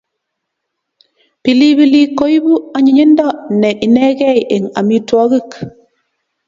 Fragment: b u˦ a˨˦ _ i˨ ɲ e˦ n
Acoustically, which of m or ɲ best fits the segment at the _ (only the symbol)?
ɲ